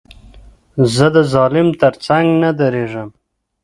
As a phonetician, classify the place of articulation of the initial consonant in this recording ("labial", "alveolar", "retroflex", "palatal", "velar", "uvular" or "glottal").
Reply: alveolar